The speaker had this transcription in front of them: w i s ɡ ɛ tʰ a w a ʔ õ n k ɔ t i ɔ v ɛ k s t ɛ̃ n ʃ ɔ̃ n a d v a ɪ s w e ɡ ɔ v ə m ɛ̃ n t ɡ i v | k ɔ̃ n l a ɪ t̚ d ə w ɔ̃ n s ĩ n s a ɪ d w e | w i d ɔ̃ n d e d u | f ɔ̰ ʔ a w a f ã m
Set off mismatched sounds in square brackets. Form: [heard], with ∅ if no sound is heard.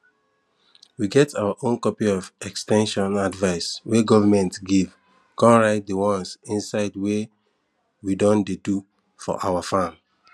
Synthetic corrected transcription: w i [∅] ɡ ɛ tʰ a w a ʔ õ n k ɔ [p] i ɔ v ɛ k s t ɛ̃ n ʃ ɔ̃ n a d v a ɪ s w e ɡ ɔ v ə m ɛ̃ n t ɡ i v | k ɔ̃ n [ɹ] a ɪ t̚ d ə w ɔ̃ n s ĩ n s a ɪ d w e | w i d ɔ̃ n d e d u | f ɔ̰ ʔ a w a f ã m

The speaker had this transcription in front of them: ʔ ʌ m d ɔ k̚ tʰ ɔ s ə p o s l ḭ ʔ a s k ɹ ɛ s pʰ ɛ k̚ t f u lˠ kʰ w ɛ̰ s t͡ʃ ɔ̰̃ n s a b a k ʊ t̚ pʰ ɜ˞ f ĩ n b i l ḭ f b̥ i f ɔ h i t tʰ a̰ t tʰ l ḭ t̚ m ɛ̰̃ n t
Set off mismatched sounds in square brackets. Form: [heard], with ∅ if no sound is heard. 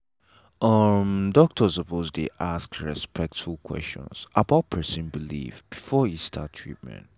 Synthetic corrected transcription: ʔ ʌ m d ɔ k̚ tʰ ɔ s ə p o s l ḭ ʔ a s k ɹ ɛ s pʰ ɛ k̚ t f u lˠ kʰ w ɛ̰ s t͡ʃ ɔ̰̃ n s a b a [∅] ʊ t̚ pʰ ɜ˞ [s] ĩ n b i l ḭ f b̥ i f ɔ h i [s] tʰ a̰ t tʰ [ɹ] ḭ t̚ m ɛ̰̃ n t

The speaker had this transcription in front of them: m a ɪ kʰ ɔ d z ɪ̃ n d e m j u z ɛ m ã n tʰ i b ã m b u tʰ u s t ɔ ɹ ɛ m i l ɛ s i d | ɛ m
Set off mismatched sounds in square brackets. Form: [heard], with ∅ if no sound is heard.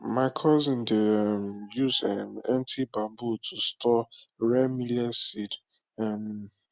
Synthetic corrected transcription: m a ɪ kʰ ɔ [∅] z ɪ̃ n d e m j u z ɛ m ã n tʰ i b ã m b u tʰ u s t ɔ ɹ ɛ m i l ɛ s i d | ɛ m

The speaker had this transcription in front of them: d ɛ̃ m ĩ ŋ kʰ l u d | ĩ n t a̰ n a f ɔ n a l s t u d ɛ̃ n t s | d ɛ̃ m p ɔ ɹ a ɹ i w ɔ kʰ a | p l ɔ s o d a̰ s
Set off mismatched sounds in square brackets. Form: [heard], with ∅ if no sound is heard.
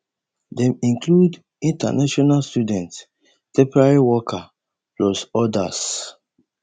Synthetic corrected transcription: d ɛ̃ m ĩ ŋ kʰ l u d | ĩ n t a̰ n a [ʃ] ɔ n a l s t u d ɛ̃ n t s | [t] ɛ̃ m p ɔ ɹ a ɹ i w ɔ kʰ a | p l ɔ s [ɔ] d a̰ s

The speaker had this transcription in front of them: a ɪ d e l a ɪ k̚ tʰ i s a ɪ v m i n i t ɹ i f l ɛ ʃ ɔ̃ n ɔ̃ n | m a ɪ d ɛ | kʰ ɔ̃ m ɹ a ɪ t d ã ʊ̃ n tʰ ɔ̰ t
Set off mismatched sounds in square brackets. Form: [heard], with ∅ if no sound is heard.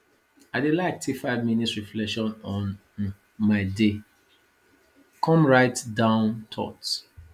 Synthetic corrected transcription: a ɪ d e l a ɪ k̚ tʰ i [f] a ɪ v m i n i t ɹ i f l ɛ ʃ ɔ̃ n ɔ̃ n | m a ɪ d [e] | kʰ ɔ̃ m ɹ a ɪ t d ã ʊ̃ n tʰ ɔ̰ t

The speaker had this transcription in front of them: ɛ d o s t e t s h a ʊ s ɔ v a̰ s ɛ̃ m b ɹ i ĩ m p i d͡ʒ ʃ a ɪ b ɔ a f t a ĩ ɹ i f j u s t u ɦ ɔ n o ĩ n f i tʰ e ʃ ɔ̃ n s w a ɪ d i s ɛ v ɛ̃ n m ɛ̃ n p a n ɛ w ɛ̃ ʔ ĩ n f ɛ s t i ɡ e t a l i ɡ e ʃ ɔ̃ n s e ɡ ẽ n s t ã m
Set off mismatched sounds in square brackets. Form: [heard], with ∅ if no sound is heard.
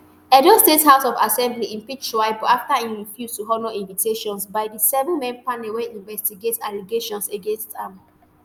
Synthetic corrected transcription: ɛ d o s t e t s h a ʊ s ɔ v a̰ s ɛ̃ m b [l] i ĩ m p i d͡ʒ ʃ a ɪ b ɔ a f t a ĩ ɹ i f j u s t u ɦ ɔ n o ĩ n [v] i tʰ e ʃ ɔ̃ n s [b] a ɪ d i s ɛ v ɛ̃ n m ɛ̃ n p a n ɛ w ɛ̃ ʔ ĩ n [v] ɛ s t i ɡ e t a l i ɡ e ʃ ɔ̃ n s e ɡ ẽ n s t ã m

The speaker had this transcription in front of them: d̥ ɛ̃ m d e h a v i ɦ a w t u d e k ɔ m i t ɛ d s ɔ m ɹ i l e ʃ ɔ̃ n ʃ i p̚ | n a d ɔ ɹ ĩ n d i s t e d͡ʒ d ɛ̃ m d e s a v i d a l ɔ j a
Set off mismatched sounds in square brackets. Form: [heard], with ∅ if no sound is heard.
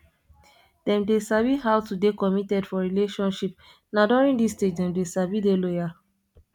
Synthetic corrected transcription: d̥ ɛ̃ m d e [s] a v i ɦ a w t u d e k ɔ m i t ɛ d [f] ɔ [∅] ɹ i l e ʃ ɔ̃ n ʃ i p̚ | n a d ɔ ɹ ĩ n d i s t e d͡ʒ d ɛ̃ m d e s a v i d [e] l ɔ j a

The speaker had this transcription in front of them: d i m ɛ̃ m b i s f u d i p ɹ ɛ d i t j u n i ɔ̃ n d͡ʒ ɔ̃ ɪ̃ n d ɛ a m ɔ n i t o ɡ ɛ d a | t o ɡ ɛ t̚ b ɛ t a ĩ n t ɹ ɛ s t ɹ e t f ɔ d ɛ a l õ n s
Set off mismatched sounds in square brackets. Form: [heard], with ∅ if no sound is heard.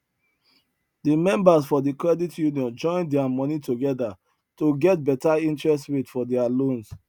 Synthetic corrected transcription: d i m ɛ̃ m b [a] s f [ɔ] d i [k] ɹ ɛ d i t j u n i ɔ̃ n d͡ʒ ɔ̃ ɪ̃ n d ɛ a m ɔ n i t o ɡ ɛ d a | t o ɡ ɛ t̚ b ɛ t a ĩ n t ɹ ɛ s t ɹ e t f ɔ d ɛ a l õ n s

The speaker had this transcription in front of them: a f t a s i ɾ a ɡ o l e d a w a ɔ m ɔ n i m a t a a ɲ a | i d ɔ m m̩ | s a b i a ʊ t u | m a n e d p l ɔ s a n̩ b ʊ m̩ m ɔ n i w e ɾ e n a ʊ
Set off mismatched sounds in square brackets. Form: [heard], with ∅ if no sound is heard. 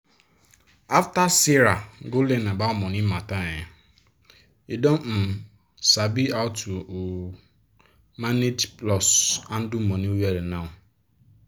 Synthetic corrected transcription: a f t a s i ɾ a ɡ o l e [n] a [b] a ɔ m ɔ n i m a t a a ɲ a | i d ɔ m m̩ | s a b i a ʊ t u | m a n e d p l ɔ s a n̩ [d] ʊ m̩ m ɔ n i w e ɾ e n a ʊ

